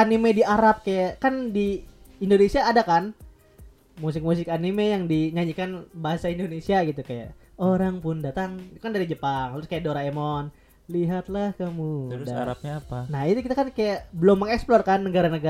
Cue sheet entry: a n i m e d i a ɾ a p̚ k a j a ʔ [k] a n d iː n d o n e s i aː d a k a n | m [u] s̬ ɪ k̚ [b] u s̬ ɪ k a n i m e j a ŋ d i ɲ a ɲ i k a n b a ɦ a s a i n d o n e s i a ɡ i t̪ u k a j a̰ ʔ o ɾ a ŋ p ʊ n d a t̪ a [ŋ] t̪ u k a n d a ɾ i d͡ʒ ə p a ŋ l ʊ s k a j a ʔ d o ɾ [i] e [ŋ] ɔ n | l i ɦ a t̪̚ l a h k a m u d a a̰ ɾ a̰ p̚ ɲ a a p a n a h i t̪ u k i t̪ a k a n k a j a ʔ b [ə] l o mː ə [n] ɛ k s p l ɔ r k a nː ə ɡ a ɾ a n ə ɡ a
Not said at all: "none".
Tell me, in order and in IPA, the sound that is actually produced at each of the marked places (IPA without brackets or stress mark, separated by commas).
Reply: k, u, m, ŋ, a, m, ə, ŋ